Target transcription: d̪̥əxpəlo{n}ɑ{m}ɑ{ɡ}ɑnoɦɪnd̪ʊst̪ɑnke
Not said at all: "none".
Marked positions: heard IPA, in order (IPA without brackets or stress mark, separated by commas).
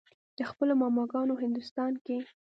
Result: m, m, ɡ